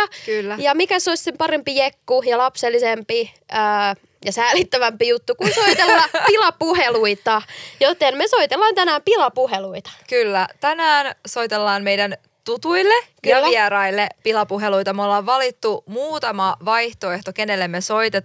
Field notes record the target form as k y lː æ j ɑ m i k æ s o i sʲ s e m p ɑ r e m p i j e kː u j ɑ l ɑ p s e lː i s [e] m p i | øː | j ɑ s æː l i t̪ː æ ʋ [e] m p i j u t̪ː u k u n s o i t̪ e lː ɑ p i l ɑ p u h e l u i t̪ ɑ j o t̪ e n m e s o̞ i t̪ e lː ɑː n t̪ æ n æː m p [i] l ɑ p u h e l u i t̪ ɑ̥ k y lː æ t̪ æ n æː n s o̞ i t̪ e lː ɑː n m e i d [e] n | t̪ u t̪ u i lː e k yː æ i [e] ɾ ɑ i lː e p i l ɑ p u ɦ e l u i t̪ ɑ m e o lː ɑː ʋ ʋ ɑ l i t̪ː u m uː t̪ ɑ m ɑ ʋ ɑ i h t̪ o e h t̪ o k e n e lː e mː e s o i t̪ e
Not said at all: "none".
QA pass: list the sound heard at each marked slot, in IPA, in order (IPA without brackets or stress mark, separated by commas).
e, æ, i, æ, æ